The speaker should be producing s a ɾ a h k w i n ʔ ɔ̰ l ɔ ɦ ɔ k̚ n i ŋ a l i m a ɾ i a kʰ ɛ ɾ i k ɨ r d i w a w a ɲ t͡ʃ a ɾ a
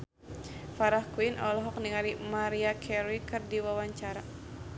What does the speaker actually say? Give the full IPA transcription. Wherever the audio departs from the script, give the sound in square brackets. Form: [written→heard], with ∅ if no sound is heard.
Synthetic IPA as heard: [s→f] a ɾ a h k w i n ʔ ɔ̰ l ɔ ɦ ɔ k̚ n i ŋ a [l→ɾ] i m a ɾ i a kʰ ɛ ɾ i k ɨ r d i w a w a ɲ t͡ʃ a ɾ a